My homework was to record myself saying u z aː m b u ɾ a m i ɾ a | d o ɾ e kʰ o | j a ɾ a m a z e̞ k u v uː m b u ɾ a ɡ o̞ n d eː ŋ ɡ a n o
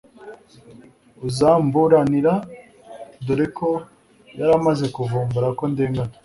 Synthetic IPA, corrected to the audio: u z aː m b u ɾ a n i ɾ a | d o ɾ e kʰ o | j a ɾ a m a z e̞ k u v uː m b u ɾ a k o̞ n d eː ŋ ɡ a n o

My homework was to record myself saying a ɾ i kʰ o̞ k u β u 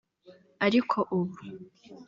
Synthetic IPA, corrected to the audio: a ɾ i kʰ o̞ ʔ u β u

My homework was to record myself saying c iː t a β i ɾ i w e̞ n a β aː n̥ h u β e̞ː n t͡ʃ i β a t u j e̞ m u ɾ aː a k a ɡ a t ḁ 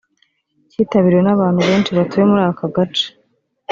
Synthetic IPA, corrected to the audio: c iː t a β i ɾ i w e̞ n a β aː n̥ h u β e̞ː n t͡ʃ i β a t u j e̞ m u ɾ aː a k a ɡ a t͡ʃ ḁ

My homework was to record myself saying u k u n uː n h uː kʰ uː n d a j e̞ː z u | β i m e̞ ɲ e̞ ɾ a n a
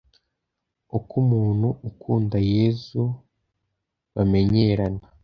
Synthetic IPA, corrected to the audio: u k u m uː n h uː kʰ uː n d a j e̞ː z u | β a m e̞ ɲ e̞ ɾ a n a

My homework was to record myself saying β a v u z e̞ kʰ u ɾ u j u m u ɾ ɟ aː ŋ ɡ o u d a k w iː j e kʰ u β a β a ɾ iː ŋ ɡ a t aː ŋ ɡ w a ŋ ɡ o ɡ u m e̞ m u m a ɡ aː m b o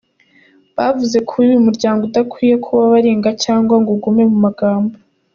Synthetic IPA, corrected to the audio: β a v u z e̞ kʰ u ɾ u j u m u ɾ ɟ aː ŋ ɡ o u d a k w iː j e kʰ u β a β a ɾ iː ŋ ɡ a c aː ŋ ɡ w a ŋ ɡ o ɡ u m e̞ m u m a ɡ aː m b o

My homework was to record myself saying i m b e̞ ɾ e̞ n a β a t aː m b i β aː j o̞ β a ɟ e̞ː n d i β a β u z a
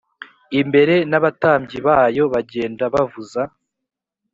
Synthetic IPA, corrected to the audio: i m b e̞ ɾ e̞ n a β a t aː m ɟ i β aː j o̞ β a ɟ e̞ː n d a β a v u z a

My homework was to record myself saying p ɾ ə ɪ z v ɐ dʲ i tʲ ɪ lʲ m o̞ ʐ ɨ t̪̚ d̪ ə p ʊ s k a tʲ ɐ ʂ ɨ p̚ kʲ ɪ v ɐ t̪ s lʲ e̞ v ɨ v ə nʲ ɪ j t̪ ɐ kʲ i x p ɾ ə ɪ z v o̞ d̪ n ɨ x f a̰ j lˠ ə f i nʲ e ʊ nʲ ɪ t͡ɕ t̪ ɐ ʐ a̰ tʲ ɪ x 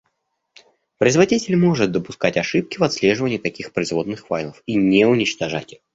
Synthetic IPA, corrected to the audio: p ɾ ə ɪ z v ɐ dʲ i tʲ ɪ lʲ m o̞ ʐ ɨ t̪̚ d̪ ə p ʊ s k a tʲ ɐ ʂ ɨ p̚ kʲ ɪ v ɐ t̪ s lʲ e̞ ʐ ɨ v ə nʲ ɪ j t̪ ɐ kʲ i x p ɾ ə ɪ z v o̞ d̪ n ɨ x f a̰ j lˠ ə f i nʲ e ʊ nʲ ɪ t͡ɕ t̪ ɐ ʐ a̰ tʲ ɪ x

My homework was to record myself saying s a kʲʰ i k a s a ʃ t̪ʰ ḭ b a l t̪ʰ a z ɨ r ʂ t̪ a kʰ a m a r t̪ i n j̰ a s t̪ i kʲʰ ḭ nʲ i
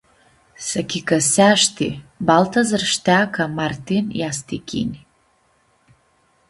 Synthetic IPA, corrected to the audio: s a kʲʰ i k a s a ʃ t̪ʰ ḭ b a l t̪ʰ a z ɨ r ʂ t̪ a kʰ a m a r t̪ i n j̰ a s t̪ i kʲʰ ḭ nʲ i

